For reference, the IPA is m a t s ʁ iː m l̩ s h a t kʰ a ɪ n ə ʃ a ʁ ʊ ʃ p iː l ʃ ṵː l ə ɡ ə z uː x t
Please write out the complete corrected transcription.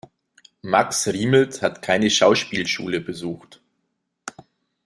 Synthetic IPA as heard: m a k s ʁ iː m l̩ t h a t kʰ a ɪ n ə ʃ a ʊ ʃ p iː l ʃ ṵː l ə b ə z uː x t